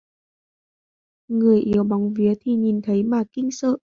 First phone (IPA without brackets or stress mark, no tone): ŋ